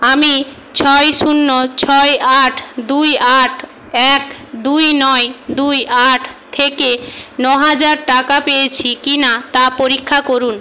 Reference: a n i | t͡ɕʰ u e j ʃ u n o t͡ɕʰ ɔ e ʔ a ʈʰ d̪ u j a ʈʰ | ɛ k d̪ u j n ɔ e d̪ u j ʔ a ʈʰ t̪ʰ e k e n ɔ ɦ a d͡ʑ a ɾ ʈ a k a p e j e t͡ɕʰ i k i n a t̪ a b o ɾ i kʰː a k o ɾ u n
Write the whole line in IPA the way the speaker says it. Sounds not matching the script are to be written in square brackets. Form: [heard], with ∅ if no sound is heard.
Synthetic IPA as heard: a [m] i | t͡ɕʰ [ɔ] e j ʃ u [nː] o t͡ɕʰ ɔ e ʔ a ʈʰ d̪ u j a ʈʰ | ɛ k d̪ u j n ɔ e d̪ u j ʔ a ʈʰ t̪ʰ e k e n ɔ ɦ a d͡ʑ a ɾ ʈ a k a p e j e t͡ɕʰ i k i n a t̪ a [p] o ɾ i kʰː a k o ɾ u n